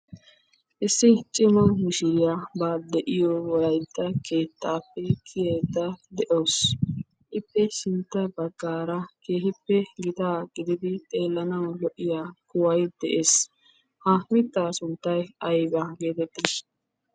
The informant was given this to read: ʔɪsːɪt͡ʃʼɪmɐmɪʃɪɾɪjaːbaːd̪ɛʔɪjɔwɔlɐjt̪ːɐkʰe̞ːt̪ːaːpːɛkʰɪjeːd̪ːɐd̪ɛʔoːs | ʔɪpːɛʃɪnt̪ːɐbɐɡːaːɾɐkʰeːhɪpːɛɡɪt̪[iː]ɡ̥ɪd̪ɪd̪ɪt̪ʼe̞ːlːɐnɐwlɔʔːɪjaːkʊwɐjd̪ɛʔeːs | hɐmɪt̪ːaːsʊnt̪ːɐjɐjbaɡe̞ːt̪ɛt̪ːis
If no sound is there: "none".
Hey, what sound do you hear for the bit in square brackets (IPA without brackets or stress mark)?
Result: aː